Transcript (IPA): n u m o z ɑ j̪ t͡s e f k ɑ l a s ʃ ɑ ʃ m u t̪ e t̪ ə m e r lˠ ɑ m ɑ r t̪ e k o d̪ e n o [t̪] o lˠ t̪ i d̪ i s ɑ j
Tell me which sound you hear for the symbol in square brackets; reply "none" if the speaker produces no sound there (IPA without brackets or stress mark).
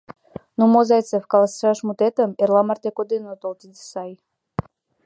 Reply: t̪